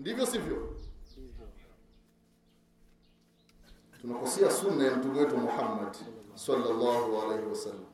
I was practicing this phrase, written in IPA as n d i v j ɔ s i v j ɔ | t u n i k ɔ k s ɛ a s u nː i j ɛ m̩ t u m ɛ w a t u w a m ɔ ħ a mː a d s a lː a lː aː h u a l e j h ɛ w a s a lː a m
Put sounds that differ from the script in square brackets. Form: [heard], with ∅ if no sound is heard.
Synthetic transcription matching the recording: n d i v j ɔ s i v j ɔ | t u n [a] k ɔ [∅] s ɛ a s u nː [a] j [a] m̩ t u m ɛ w [ɛ] t u w a m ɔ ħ a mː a d s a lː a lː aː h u a l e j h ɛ w a s a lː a m